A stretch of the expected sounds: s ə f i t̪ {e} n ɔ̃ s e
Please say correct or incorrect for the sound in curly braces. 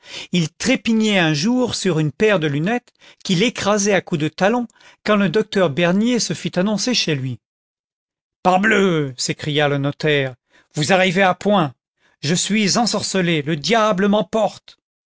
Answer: incorrect